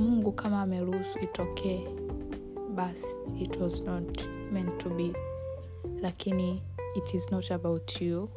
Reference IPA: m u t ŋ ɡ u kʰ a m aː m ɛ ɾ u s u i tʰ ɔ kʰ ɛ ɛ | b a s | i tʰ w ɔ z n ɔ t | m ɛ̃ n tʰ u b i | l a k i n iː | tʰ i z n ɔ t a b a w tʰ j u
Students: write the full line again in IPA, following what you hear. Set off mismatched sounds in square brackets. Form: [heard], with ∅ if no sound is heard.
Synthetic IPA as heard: m u [∅] ŋ ɡ u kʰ a m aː m ɛ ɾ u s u i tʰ ɔ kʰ ɛ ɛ | b a s | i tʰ w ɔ z n ɔ t | m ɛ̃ n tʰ u b i | l a k i n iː | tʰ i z n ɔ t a b a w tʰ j u